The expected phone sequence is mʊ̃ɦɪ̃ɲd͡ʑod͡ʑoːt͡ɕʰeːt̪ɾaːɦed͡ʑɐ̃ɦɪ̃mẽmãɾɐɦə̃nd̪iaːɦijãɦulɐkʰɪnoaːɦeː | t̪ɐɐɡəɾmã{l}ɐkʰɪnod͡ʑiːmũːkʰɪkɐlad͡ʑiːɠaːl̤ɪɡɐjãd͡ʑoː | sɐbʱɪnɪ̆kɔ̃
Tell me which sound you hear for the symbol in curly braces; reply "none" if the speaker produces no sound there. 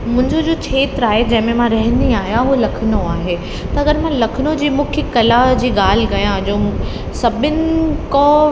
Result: l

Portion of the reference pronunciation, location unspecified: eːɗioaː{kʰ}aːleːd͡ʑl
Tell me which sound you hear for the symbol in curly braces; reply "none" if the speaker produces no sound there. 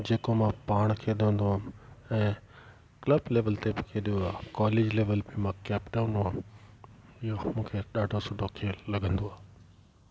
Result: k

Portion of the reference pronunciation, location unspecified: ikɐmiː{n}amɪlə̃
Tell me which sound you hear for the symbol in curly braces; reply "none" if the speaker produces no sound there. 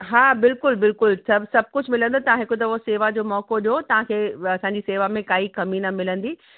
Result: n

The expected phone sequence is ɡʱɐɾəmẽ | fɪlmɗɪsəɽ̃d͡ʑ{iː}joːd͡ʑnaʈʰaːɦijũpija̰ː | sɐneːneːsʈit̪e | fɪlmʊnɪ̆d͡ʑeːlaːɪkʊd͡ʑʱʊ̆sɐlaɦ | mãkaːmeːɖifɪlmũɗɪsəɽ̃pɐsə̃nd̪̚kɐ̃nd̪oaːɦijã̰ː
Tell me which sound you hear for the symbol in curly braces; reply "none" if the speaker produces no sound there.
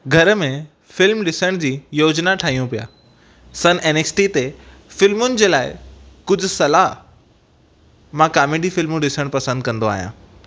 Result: iː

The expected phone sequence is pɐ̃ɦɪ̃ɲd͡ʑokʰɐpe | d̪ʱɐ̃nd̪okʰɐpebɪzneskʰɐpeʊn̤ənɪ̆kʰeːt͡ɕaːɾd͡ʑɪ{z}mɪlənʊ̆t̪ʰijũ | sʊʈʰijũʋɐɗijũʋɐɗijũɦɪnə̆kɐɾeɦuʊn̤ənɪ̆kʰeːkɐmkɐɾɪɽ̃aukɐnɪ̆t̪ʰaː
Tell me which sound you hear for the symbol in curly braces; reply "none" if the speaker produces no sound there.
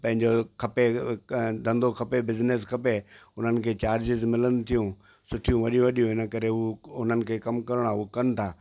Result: z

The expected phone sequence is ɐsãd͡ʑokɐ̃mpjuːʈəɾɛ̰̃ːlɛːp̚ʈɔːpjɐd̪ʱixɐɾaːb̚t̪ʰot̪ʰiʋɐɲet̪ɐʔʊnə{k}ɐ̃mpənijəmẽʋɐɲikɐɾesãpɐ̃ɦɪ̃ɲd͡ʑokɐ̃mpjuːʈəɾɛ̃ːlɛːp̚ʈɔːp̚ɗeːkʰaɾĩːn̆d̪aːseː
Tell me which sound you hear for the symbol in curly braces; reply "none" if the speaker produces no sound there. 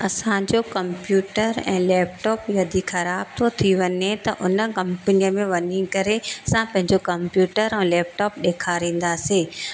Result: k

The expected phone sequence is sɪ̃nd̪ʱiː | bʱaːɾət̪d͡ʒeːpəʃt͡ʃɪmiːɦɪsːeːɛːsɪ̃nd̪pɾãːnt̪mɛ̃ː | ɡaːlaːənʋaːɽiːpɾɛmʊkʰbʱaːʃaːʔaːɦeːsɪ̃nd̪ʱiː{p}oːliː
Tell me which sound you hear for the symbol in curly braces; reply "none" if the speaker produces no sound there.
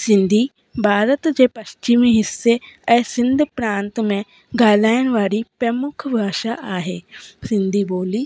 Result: b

